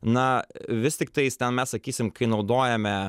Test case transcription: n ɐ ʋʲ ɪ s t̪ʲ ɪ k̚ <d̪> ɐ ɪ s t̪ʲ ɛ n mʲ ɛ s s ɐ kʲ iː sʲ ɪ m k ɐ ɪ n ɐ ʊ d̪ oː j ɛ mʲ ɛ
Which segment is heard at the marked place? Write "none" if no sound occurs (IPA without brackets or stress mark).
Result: t̪